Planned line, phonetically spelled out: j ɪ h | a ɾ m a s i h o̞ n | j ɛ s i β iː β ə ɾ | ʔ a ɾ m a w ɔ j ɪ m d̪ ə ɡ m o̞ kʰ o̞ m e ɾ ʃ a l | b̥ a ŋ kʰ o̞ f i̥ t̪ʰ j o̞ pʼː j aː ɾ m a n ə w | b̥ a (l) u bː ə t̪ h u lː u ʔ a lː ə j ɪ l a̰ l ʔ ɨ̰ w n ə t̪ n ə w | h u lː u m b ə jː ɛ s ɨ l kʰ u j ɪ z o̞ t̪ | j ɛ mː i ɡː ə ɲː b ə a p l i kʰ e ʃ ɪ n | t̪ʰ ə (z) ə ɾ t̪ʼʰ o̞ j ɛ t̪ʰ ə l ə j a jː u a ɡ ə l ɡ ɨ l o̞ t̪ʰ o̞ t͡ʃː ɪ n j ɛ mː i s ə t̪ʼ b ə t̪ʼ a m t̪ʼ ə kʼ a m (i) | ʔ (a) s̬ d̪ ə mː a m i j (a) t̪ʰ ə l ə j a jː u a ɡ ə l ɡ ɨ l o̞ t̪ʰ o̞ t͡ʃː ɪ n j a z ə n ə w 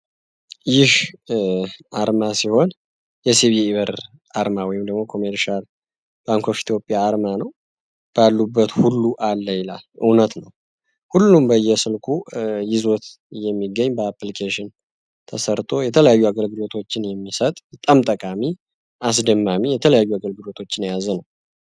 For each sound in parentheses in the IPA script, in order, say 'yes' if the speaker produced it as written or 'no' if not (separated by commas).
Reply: no, no, yes, yes, no